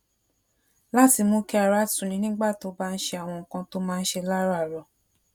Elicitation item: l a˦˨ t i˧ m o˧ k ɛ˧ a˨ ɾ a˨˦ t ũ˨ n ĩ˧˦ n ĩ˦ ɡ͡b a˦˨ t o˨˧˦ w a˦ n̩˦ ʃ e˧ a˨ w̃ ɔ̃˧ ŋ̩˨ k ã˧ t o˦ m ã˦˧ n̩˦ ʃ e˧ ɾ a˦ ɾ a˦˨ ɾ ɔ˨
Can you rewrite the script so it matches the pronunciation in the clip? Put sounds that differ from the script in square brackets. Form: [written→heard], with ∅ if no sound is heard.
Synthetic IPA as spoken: l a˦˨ t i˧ m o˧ k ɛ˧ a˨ ɾ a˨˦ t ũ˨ n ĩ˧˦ n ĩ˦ ɡ͡b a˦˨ t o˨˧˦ [w→b] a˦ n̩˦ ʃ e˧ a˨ w̃ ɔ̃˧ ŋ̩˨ k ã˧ t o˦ m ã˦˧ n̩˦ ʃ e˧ [ɾ→l] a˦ ɾ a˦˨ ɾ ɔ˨